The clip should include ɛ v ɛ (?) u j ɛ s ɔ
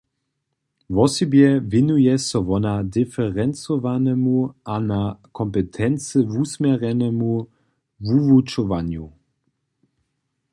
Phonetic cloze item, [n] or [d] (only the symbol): n